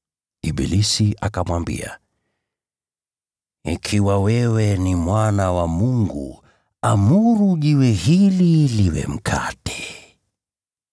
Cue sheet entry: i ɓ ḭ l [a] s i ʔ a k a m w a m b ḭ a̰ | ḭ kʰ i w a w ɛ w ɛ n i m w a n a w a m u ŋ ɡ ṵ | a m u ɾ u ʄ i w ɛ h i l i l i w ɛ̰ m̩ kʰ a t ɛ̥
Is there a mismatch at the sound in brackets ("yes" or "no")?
yes